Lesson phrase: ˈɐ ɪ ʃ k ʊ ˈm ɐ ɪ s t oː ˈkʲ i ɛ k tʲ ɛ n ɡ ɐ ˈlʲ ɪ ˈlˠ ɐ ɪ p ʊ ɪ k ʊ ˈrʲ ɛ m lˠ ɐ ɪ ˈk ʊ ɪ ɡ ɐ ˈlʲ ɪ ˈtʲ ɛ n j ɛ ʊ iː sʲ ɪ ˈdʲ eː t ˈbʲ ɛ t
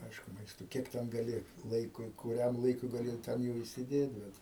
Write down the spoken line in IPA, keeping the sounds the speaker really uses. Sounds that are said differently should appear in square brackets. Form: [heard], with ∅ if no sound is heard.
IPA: ˈɐ ɪ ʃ k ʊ ˈm ɐ ɪ s t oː ˈkʲ i ɛ k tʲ ɛ n ɡ ɐ ˈlʲ ɪ ˈlˠ ɐ ɪ [k] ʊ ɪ k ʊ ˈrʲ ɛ m lˠ ɐ ɪ ˈk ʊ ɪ ɡ ɐ ˈlʲ ɪ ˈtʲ ɛ n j ɛ ʊ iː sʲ ɪ ˈdʲ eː t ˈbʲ ɛ t